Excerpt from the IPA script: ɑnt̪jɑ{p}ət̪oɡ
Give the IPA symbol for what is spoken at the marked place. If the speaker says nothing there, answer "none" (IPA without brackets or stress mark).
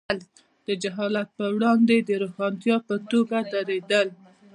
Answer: p